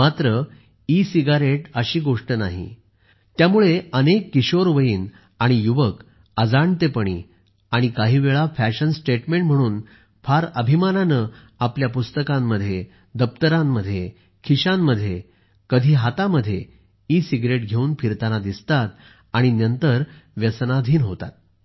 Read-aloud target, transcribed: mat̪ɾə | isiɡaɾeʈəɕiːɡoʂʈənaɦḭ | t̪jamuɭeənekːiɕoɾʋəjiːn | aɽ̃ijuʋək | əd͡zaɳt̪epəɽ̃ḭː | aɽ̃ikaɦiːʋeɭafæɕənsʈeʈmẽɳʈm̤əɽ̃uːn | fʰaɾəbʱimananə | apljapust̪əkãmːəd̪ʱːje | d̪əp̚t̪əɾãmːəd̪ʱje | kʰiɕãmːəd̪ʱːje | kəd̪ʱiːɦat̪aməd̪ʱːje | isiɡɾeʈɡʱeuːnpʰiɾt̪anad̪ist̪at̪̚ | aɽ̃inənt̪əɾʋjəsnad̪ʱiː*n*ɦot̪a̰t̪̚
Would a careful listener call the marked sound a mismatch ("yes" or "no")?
no